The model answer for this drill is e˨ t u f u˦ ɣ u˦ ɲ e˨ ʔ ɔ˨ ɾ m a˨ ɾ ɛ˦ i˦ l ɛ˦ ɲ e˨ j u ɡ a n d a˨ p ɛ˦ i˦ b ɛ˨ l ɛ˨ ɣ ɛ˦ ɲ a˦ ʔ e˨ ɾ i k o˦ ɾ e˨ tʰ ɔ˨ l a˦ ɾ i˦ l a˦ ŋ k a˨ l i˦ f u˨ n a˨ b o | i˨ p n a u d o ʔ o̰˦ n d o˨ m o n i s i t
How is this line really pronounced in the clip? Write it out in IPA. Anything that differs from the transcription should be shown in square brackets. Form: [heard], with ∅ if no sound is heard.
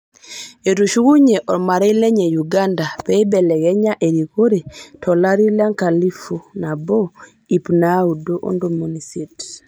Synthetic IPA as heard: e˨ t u [ʃ] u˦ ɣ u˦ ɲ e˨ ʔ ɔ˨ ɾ m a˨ ɾ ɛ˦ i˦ l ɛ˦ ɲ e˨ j u ɡ a n d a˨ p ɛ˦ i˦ b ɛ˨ l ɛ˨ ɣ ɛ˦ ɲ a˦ ʔ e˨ ɾ i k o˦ ɾ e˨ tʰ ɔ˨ l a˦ ɾ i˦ l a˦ ŋ k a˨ l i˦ f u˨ n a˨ b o | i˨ p n a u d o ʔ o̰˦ n d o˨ m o n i s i t

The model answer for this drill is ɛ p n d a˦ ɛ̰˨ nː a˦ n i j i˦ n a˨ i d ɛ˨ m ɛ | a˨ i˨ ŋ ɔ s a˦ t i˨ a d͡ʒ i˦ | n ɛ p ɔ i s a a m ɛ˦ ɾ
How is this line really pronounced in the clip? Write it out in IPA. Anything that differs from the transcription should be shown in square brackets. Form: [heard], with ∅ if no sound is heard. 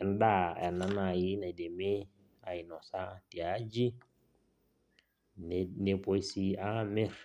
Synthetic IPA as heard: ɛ [∅] n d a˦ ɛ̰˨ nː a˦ n [a] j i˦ n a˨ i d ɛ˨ m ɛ | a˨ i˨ [n] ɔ s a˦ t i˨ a d͡ʒ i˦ | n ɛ p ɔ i s [i] a m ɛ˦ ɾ

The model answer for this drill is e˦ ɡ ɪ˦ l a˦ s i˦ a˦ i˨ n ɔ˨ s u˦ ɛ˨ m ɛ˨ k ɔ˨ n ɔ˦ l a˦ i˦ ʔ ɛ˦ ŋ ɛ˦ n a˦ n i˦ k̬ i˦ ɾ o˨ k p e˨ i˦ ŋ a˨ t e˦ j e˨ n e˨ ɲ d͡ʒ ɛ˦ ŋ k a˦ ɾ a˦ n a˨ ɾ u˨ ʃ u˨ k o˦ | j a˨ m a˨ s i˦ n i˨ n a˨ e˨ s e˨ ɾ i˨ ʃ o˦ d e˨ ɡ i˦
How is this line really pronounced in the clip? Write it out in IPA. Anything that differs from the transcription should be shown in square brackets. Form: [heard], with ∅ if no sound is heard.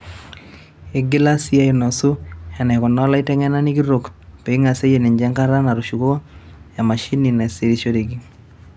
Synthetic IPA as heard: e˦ ɡ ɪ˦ l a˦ s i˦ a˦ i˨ n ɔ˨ s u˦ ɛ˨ [n] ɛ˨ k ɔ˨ n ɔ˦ l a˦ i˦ [t] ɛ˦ ŋ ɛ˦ n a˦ n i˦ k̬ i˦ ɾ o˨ k p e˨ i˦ ŋ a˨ [s] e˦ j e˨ n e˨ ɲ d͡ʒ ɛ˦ ŋ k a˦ ɾ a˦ n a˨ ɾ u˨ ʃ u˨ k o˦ | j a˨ m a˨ [ʃ] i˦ n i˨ n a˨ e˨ s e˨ ɾ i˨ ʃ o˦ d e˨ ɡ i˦

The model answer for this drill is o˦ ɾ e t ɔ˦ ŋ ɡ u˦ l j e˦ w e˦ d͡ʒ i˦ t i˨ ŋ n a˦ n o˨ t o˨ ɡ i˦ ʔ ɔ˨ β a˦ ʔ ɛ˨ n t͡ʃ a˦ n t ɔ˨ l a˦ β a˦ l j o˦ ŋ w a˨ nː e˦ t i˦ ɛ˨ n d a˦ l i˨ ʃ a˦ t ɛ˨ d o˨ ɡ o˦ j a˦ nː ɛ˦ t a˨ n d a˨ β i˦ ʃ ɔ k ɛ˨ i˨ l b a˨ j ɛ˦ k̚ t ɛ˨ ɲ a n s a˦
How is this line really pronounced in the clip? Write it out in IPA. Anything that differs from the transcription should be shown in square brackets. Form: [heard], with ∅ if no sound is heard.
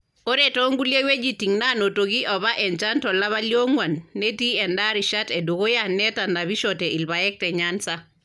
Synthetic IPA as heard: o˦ ɾ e t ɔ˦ ŋ ɡ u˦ l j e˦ w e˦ d͡ʒ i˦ t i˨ ŋ n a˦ n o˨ t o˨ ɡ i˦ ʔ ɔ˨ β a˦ ʔ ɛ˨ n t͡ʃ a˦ n t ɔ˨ l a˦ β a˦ l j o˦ ŋ w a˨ nː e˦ t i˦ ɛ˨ n d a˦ [ɾ] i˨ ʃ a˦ t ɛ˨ d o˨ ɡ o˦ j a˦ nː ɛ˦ t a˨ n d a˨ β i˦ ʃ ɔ [t] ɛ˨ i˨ l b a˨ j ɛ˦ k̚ t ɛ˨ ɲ a n s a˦

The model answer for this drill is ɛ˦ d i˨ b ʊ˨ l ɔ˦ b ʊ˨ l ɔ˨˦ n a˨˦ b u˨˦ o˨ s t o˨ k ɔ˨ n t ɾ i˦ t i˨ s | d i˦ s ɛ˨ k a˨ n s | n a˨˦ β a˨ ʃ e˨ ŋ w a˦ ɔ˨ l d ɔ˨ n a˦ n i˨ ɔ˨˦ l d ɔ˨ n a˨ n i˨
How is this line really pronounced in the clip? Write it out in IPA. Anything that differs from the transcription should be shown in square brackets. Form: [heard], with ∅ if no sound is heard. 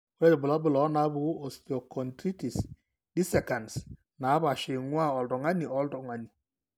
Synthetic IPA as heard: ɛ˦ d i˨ b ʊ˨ l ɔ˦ b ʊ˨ l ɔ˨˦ n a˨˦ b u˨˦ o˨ s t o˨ k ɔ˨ n t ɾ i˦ t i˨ s | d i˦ s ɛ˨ k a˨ n s | n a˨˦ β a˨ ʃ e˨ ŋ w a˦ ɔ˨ l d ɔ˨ [ŋ] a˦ n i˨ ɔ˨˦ l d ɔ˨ [ŋ] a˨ n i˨

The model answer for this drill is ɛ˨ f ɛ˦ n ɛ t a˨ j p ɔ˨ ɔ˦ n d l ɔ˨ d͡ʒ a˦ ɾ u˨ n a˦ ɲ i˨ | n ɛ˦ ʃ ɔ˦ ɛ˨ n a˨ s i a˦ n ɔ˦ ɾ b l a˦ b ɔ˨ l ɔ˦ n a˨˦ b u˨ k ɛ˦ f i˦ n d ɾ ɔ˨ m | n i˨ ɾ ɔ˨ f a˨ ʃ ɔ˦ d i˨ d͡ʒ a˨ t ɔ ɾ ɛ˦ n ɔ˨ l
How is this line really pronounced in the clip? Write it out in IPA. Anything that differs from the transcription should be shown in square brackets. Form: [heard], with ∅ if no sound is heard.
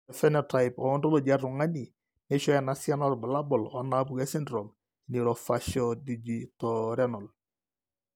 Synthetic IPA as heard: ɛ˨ f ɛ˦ n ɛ t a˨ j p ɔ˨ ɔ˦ n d l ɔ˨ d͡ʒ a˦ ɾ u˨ [ŋ] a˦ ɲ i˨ | n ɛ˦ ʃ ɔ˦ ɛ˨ n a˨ s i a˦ n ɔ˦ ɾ b l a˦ b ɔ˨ l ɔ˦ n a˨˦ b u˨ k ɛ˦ [s] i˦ n d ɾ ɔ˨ m | n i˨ ɾ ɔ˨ f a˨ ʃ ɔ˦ d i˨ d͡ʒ [i˨] t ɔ ɾ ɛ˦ n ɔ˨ l

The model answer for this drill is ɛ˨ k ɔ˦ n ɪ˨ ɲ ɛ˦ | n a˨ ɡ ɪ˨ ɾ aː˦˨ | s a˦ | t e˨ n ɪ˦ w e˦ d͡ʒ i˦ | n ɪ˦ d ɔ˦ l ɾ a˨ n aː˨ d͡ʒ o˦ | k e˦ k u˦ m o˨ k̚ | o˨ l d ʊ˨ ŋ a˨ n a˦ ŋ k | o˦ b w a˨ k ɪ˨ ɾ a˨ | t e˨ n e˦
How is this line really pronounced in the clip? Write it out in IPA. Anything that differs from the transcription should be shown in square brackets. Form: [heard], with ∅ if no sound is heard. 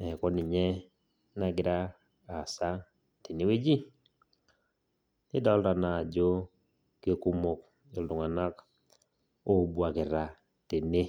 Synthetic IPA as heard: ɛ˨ k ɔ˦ n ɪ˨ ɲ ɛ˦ | n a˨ ɡ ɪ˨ ɾ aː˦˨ | s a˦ | t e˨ n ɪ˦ w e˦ d͡ʒ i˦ | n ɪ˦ d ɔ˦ l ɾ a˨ n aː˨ d͡ʒ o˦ | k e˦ k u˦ m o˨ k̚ | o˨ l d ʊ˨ ŋ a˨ n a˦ [∅] k | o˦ b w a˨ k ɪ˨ ɾ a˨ | t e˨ n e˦

